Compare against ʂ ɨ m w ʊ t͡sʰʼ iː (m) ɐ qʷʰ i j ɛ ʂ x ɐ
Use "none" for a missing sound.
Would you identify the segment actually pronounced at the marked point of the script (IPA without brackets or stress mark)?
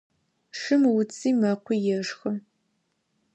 m